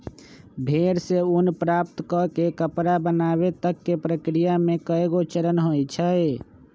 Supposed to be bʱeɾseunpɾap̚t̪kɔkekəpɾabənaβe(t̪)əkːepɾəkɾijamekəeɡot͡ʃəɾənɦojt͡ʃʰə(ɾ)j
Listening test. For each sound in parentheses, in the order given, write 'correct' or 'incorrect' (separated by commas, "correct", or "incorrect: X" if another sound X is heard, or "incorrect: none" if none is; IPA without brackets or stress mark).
correct, incorrect: none